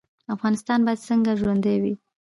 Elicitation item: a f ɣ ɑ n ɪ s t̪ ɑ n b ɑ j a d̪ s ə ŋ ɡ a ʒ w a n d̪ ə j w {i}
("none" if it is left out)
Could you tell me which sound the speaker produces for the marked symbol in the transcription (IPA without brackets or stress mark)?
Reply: i